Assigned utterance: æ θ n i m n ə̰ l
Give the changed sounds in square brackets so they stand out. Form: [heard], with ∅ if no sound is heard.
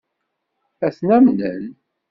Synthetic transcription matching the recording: æ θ n [æ] m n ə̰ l